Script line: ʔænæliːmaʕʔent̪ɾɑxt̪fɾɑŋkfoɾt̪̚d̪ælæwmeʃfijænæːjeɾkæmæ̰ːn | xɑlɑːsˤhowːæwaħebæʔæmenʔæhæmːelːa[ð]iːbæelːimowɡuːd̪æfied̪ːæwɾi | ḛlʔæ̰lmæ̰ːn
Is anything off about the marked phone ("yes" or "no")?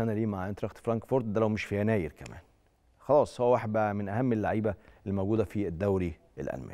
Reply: yes